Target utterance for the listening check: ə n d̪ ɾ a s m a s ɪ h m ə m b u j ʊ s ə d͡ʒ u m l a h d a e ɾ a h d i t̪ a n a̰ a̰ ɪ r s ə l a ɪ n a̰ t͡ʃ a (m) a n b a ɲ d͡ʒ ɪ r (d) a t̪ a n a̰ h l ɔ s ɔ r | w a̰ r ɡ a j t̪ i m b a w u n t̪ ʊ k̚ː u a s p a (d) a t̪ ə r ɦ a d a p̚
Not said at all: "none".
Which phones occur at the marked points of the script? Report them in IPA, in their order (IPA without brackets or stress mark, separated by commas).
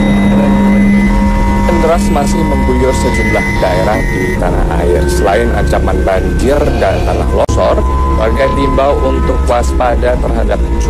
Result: m, d, d